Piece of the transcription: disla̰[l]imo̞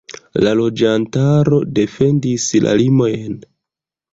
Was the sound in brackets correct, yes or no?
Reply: yes